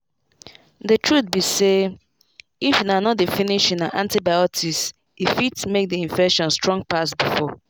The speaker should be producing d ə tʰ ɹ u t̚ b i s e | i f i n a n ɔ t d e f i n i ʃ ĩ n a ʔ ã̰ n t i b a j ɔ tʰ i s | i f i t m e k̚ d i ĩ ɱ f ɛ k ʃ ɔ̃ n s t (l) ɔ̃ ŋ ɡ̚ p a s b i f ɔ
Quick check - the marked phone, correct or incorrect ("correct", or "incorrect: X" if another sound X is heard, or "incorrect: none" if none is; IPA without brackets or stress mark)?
incorrect: ɹ